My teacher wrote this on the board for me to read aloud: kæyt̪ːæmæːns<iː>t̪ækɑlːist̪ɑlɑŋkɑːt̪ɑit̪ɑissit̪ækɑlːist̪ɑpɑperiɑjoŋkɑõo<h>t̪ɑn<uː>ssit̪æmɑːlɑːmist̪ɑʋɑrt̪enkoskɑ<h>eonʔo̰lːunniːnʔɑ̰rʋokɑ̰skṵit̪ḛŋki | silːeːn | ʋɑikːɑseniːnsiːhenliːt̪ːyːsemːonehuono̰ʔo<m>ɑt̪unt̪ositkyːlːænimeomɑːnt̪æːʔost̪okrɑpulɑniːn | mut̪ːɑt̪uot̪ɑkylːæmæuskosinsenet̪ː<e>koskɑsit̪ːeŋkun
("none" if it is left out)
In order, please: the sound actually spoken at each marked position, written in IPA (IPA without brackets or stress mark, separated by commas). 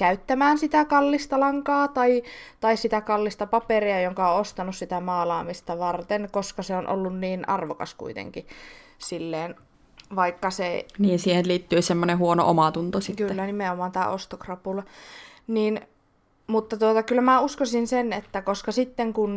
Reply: i, s, u, s, m, æ